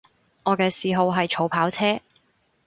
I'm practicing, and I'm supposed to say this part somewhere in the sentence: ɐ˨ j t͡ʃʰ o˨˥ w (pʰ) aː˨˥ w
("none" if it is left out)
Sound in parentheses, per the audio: pʰ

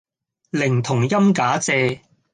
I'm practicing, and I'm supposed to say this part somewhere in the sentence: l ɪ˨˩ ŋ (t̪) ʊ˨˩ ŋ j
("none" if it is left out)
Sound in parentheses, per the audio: t̪ʰ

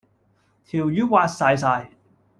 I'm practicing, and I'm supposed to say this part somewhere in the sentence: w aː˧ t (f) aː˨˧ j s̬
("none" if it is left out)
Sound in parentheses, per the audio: s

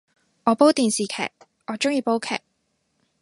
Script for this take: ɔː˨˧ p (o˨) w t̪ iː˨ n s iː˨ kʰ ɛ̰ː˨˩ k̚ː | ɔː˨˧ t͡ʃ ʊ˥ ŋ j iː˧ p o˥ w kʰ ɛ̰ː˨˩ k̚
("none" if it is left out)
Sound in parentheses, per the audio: o˥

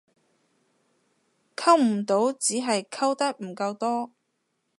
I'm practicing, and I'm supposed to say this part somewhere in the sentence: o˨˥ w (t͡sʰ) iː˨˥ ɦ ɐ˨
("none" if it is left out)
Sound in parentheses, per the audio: t͡s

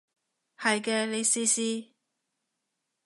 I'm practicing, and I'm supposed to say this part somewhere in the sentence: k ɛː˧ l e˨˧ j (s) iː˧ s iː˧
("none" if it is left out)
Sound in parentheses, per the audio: s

